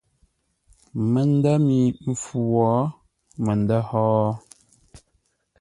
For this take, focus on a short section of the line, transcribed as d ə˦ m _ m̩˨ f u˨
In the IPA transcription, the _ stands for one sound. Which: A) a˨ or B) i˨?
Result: B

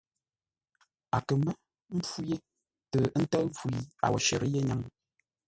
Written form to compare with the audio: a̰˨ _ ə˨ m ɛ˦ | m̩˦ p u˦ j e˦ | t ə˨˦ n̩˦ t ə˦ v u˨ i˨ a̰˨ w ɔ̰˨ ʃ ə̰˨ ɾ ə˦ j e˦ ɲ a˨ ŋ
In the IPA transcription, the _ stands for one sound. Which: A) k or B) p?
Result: A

